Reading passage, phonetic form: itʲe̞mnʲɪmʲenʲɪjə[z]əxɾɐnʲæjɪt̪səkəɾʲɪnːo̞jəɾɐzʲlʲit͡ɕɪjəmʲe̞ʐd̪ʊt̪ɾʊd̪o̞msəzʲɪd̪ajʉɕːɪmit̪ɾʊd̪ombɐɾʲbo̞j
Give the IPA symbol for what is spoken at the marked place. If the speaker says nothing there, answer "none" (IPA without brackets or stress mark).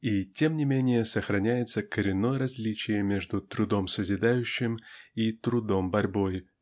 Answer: s